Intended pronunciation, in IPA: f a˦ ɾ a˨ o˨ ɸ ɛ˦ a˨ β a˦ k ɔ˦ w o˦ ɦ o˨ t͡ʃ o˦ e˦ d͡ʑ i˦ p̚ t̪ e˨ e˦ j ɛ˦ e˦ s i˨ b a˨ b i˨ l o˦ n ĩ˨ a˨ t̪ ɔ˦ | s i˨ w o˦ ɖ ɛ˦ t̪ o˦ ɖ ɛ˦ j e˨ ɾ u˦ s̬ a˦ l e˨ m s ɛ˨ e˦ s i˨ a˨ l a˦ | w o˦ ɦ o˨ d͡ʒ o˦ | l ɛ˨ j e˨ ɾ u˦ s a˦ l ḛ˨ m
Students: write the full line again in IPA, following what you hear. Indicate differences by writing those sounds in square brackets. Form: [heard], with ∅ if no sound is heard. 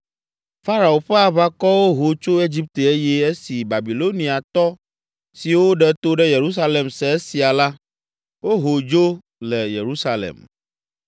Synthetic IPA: f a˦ ɾ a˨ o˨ ɸ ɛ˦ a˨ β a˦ k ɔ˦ w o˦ ɦ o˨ t͡ʃ o˦ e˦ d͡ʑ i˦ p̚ t̪ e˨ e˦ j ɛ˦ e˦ s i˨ b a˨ b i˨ l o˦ n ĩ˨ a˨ t̪ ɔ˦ | s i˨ w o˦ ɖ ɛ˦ t̪ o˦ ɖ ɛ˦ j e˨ ɾ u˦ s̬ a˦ l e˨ m s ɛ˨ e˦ s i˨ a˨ l a˦ | w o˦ ɦ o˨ d͡ʒ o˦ | l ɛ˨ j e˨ ɾ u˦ s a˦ l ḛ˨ m

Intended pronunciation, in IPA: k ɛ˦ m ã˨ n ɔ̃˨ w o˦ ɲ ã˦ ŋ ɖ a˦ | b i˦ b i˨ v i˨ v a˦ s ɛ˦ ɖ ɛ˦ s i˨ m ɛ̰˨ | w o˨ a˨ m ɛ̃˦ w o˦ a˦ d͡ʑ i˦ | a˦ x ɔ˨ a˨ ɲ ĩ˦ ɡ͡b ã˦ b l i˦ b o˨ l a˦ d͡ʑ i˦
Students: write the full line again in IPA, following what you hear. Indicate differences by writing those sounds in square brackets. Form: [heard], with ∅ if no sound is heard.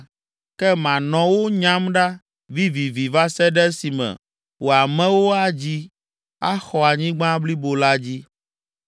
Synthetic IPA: k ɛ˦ m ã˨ n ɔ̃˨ w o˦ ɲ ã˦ [m] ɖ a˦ | [v] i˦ [v] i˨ v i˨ v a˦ s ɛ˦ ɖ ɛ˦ s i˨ m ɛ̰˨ | w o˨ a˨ m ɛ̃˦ w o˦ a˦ d͡ʑ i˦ | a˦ x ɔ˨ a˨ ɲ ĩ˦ ɡ͡b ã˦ b l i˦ b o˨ l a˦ d͡ʑ i˦

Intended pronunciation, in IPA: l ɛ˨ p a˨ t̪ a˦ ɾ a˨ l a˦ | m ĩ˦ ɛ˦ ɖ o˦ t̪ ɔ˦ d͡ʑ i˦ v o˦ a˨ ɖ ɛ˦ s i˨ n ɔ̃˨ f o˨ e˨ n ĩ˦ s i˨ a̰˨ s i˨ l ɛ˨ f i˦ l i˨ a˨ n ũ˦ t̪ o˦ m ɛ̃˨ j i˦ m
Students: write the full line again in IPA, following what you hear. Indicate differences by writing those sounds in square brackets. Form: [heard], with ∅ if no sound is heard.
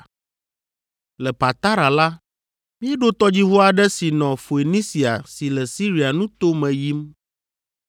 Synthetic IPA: l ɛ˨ p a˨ t̪ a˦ ɾ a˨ l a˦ | m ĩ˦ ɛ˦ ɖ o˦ t̪ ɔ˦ d͡ʑ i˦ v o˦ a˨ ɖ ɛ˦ s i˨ n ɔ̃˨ f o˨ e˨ n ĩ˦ s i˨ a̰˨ s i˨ l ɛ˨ [s] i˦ [ɾ] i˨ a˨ n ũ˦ t̪ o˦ m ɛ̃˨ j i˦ m

